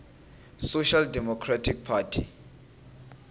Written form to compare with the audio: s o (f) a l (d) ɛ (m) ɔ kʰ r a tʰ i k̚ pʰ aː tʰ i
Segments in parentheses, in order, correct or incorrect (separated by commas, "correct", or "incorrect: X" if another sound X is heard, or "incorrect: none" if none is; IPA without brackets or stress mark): incorrect: ʃ, correct, correct